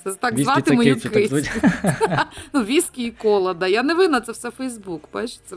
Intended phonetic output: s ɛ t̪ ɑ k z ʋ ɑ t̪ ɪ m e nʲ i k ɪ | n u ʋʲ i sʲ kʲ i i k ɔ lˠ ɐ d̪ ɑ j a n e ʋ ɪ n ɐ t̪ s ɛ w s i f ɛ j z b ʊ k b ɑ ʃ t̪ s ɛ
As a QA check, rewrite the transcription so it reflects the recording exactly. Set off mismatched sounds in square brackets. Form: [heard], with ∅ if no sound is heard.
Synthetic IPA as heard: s ɛ t̪ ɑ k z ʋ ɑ t̪ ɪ m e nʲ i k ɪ | n u ʋʲ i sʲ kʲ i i k ɔ lˠ ɐ d̪ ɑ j a n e ʋ ɪ n ɐ t̪ s ɛ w s [ɛ] f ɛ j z b [u] k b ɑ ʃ t̪ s ɛ